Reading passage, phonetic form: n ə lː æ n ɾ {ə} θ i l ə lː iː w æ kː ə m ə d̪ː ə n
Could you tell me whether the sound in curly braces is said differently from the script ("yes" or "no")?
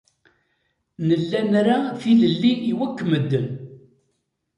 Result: yes